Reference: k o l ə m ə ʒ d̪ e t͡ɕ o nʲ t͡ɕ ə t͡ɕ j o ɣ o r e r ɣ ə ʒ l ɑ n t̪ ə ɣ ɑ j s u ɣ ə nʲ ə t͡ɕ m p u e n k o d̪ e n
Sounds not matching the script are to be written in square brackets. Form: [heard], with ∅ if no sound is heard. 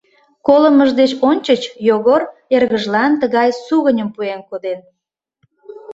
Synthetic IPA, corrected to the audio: k o l ə m ə ʒ d̪ e t͡ɕ o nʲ t͡ɕ ə t͡ɕ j o ɣ o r e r ɣ ə ʒ l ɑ n t̪ ə ɣ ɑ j s u ɣ ə nʲ ə [∅] m p u e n k o d̪ e n